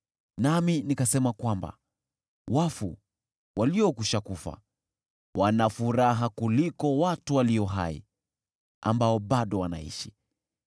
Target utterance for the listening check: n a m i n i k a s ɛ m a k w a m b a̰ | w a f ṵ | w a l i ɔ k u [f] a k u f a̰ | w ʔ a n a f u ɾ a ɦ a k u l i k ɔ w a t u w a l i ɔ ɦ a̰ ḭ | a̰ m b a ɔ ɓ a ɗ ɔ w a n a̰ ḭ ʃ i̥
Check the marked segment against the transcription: incorrect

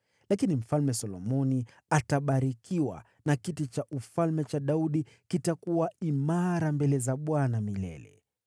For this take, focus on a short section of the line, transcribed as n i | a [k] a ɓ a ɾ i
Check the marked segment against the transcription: incorrect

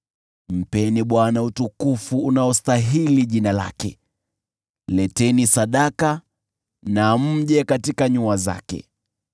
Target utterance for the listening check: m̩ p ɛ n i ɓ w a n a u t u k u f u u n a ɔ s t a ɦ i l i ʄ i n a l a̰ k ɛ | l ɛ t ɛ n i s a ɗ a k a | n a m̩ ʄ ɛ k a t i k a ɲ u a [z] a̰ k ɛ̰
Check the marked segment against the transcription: correct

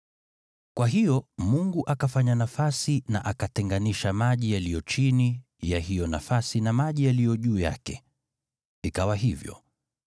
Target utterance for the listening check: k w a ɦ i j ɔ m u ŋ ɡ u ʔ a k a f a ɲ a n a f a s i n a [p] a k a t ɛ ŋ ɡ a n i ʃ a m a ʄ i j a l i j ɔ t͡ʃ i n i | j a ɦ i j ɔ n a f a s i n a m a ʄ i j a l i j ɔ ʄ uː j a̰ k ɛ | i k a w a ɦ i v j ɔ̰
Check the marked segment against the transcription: incorrect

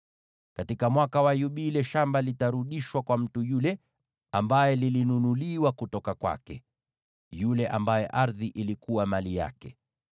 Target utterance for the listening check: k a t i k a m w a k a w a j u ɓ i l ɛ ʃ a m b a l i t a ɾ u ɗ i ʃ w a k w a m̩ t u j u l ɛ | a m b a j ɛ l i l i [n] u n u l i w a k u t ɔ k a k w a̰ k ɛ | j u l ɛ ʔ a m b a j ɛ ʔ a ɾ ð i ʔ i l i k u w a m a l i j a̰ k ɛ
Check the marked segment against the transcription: correct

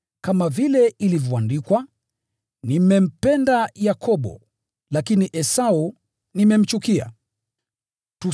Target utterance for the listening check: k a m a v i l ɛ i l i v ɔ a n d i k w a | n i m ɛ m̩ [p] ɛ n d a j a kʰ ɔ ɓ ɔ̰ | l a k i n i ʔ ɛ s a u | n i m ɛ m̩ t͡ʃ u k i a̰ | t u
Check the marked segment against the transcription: correct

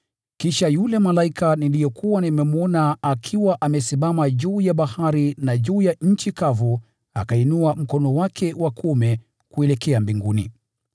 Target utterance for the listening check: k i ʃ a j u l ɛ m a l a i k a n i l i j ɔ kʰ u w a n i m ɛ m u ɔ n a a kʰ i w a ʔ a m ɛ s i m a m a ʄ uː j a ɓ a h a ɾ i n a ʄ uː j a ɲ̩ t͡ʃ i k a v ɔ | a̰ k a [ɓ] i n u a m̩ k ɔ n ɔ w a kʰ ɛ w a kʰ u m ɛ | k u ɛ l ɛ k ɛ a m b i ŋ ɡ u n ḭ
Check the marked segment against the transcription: incorrect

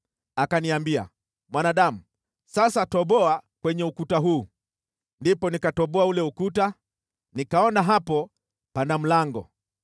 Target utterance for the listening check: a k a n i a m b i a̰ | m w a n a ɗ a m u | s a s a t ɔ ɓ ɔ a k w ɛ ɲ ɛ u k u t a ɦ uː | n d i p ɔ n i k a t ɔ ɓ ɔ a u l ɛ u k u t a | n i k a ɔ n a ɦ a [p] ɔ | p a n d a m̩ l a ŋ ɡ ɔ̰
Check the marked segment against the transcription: correct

